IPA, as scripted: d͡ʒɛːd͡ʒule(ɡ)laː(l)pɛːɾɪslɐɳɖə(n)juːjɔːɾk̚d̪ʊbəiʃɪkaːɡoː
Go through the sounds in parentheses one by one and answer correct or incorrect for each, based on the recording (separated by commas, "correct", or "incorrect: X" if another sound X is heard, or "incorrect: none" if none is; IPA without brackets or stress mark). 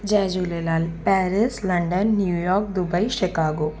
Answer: incorrect: none, correct, incorrect: nː